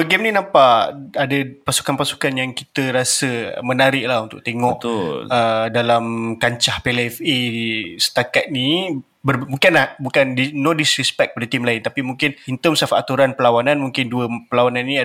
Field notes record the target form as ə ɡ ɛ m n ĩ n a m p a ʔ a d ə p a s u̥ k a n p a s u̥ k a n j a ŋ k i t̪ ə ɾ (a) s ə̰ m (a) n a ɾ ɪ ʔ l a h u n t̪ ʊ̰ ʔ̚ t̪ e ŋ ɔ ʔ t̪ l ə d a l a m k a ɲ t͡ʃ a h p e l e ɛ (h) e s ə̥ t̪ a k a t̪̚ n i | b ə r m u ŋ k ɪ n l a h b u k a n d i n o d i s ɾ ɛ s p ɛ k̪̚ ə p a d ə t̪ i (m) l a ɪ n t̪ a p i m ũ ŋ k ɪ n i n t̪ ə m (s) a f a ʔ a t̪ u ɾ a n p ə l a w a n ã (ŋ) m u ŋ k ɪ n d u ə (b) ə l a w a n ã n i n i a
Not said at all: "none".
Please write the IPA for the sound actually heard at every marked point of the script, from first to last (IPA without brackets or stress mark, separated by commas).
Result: a, ə, f, m, s, n, p